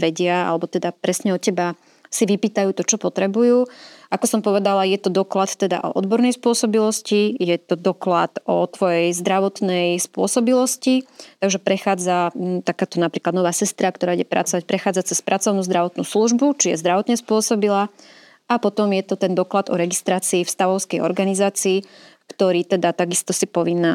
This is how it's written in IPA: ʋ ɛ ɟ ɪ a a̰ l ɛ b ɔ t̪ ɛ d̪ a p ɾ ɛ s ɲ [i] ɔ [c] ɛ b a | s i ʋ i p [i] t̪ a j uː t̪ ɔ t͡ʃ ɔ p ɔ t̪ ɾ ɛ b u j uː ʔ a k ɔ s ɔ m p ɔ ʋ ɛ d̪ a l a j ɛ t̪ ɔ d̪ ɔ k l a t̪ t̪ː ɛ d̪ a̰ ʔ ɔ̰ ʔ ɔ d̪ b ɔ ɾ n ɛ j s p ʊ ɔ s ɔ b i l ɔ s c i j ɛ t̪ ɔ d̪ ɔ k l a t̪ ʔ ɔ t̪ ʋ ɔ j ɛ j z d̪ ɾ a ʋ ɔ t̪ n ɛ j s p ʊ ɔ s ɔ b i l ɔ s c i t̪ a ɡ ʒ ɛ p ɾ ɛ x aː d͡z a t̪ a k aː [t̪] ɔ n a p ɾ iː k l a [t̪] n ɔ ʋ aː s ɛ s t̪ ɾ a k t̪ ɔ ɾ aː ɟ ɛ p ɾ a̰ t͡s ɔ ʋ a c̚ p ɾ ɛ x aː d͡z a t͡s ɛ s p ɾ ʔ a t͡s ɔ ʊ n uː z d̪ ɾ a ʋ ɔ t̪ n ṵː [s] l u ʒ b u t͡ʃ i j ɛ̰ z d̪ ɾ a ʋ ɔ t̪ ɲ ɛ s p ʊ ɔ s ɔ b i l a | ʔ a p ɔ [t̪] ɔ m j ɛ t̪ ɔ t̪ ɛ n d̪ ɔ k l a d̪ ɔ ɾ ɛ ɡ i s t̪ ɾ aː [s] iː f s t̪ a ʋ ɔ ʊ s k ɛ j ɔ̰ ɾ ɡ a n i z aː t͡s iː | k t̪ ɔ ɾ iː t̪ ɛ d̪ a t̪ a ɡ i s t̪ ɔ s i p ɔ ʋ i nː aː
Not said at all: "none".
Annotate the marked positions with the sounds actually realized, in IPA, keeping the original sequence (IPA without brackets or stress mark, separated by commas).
ɛ, c, iː, t̪, d̪, s, t̪, t͡s